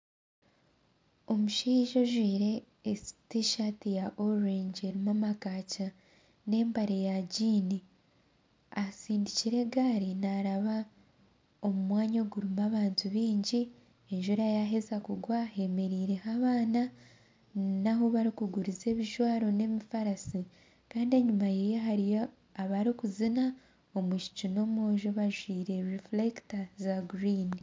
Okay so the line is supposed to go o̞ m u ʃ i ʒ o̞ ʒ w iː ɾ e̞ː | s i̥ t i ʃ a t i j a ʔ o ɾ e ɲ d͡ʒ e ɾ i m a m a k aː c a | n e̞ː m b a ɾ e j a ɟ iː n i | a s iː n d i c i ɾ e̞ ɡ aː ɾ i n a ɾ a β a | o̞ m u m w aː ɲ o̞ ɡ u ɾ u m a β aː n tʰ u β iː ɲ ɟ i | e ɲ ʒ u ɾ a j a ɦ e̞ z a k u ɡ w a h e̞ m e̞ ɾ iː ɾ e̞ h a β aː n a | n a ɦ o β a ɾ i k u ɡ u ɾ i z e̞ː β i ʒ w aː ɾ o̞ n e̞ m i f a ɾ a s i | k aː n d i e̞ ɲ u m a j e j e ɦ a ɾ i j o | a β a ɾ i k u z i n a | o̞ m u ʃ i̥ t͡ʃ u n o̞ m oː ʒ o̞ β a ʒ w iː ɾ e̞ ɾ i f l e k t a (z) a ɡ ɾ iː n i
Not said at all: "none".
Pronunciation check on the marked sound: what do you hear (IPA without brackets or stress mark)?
z